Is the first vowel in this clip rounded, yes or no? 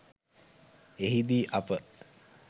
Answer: no